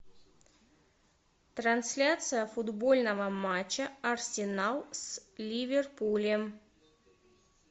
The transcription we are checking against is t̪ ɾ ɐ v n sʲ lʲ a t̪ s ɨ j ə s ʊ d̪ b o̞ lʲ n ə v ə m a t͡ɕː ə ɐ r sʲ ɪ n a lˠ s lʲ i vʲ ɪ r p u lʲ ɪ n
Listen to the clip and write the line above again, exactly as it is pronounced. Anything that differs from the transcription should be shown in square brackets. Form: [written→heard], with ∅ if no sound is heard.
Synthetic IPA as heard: t̪ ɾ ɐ [v→∅] n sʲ lʲ a t̪ s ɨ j ə [s→f] ʊ d̪ b o̞ lʲ n ə v ə m a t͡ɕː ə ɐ r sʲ ɪ n a lˠ s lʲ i vʲ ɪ r p u lʲ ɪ [n→m]

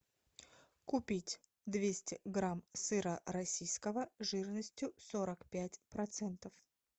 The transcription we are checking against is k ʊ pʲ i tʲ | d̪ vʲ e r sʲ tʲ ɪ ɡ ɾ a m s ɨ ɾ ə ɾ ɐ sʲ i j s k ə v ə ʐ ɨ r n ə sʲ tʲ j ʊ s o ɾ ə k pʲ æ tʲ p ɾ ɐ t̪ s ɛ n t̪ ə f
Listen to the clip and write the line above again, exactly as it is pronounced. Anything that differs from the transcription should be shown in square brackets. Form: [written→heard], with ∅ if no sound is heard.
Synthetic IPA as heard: k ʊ pʲ i tʲ | d̪ vʲ e [r→∅] sʲ tʲ ɪ ɡ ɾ a m s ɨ ɾ ə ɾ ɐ sʲ i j s k ə v ə ʐ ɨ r n ə sʲ tʲ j ʊ s o ɾ ə k pʲ æ tʲ p ɾ ɐ t̪ s ɛ n t̪ ə f

